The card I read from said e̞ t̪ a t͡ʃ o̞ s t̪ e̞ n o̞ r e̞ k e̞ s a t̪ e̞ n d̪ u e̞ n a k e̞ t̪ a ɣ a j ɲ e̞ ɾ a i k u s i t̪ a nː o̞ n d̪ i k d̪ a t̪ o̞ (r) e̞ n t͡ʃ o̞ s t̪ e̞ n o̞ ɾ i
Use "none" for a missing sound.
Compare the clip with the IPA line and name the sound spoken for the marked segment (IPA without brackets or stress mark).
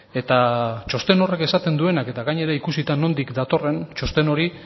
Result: r